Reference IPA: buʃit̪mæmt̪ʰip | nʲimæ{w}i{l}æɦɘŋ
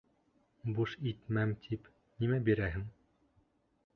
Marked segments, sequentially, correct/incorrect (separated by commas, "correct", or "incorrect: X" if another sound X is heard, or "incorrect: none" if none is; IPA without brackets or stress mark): incorrect: b, incorrect: ɾ